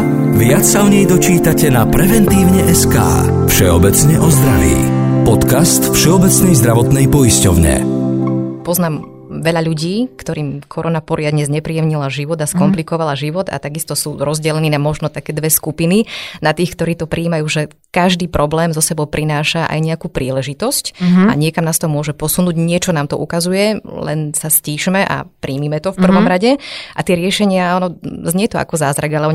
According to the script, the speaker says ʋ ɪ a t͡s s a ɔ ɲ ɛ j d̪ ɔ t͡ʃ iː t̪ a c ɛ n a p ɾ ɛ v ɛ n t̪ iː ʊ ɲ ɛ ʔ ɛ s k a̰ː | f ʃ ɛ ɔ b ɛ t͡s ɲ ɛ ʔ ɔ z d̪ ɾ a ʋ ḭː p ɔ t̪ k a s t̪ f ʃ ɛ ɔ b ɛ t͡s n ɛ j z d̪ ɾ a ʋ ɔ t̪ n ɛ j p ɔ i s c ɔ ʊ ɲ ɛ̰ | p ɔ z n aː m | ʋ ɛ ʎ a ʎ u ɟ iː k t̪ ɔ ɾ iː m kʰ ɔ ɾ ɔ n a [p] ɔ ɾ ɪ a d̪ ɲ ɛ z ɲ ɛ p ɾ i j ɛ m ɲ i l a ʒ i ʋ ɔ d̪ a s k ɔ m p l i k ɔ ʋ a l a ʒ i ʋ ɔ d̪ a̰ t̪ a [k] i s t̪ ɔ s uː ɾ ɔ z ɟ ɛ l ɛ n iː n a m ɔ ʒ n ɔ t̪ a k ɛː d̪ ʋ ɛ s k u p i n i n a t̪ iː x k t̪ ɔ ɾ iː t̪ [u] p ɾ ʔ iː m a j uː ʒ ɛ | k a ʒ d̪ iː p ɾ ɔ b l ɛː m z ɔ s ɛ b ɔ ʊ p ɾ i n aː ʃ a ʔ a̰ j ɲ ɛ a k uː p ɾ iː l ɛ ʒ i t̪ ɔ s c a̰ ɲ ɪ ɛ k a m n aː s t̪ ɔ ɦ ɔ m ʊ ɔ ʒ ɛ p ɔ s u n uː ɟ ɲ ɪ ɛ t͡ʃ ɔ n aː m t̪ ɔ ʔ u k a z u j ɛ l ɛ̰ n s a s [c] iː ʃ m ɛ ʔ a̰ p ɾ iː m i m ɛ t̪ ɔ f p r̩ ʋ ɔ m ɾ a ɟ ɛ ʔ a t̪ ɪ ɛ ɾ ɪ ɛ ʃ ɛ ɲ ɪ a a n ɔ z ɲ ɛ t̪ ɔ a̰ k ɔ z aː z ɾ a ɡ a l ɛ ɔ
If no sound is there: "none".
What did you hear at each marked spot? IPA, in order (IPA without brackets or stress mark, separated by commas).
p, ɡ, ɔ, c